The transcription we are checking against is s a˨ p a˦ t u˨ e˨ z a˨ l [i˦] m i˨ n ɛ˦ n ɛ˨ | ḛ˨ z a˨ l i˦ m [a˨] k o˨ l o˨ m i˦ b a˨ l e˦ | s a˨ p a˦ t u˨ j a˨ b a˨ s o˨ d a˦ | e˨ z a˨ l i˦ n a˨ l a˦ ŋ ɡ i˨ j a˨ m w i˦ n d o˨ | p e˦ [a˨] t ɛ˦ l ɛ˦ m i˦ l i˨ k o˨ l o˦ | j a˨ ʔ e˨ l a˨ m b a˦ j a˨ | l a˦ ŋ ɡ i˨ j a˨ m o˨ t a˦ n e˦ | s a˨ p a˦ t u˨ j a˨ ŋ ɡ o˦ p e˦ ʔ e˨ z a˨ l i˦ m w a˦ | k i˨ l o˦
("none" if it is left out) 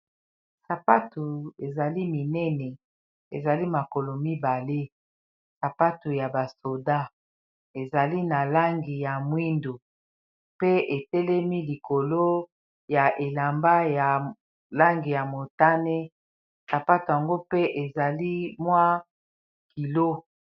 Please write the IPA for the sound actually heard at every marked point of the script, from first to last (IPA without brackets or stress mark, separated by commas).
i˦, a˨, e˨